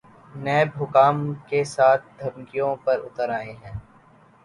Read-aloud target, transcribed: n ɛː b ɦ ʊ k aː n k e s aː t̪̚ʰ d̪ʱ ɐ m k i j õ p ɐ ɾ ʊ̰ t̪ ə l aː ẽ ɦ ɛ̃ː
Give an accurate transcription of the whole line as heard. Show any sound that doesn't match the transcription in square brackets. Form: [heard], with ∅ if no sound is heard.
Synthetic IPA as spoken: n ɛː b ɦ ʊ k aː [m] k e s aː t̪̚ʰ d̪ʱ ɐ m k i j õ p ɐ ɾ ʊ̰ t̪ ə [ɾ] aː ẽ ɦ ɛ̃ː